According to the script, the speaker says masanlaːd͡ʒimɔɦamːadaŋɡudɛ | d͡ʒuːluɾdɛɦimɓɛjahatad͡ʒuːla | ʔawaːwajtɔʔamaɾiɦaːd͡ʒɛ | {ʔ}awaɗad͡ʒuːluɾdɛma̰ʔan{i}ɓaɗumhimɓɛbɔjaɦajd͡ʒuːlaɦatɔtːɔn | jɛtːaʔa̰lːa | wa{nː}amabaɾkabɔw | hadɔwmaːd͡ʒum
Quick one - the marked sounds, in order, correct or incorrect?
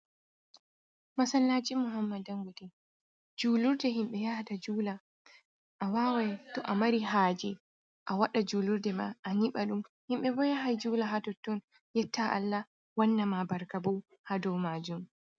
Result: correct, correct, correct

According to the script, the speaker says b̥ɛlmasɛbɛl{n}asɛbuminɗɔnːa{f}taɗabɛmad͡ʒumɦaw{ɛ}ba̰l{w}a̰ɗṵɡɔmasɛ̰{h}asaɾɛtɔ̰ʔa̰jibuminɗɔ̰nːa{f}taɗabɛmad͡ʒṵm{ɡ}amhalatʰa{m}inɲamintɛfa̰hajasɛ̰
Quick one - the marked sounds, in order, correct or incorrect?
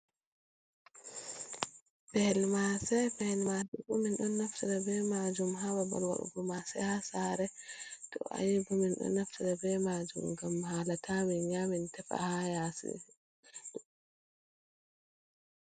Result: incorrect, correct, incorrect, correct, correct, correct, correct, correct

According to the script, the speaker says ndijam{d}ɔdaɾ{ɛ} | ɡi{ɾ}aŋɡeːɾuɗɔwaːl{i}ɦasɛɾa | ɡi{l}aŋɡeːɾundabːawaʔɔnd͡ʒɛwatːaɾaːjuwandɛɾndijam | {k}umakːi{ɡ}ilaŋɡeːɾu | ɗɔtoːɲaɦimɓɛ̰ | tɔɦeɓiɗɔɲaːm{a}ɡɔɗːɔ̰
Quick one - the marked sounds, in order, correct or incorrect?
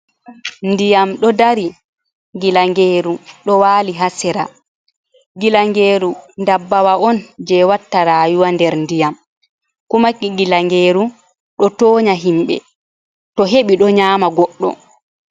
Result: incorrect, incorrect, incorrect, correct, correct, correct, correct, correct

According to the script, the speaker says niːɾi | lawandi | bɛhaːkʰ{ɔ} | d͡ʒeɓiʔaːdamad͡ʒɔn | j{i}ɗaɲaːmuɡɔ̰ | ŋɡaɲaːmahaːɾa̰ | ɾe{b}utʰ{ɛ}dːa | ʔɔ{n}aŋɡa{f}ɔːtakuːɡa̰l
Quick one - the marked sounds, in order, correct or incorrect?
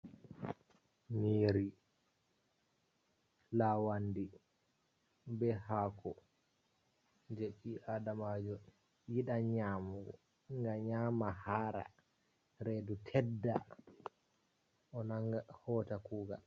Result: correct, correct, incorrect, correct, correct, incorrect

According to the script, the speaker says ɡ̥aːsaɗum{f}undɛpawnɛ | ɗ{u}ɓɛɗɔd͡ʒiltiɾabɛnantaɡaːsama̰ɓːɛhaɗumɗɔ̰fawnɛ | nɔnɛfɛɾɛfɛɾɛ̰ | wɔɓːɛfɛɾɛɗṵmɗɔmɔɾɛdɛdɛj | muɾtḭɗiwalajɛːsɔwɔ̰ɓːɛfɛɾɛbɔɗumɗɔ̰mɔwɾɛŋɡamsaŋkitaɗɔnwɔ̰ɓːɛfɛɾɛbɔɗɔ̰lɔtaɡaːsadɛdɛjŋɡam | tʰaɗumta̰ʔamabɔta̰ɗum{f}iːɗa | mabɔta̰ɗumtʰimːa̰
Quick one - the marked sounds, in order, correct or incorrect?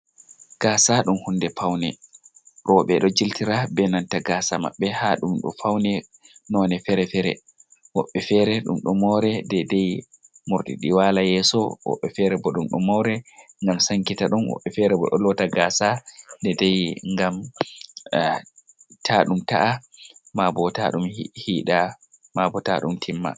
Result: incorrect, incorrect, incorrect

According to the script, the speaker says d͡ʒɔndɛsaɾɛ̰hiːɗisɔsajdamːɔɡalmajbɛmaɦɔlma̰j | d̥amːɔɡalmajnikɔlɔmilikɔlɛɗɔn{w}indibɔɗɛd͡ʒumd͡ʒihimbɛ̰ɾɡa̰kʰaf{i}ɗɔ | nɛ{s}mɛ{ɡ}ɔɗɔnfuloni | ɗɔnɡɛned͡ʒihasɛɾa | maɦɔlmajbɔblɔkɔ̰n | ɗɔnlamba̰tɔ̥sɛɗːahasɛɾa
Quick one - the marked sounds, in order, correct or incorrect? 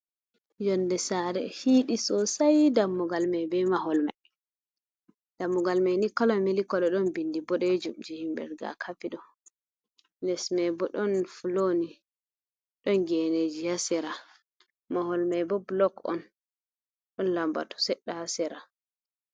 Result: incorrect, correct, correct, incorrect

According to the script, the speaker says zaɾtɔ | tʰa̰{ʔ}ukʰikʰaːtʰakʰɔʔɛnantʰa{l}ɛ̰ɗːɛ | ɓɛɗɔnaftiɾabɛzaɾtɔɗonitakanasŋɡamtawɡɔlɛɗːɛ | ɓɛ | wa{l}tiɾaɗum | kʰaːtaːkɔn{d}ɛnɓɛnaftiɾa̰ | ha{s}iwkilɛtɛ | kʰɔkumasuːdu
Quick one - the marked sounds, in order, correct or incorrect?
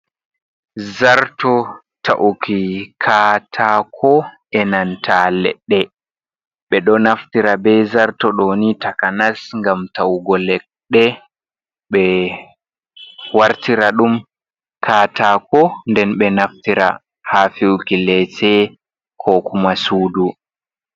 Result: correct, correct, incorrect, correct, incorrect

